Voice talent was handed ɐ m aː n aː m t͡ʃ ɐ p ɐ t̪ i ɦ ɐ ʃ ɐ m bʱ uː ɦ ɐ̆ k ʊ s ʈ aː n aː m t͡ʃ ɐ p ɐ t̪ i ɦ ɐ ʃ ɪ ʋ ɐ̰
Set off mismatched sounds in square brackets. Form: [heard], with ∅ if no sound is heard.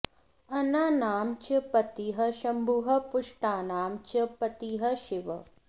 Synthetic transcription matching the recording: ɐ [n] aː n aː m t͡ʃ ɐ p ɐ t̪ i ɦ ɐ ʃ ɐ m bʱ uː ɦ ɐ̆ [p] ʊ [ʂ] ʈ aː n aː m t͡ʃ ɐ p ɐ t̪ i ɦ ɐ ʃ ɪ ʋ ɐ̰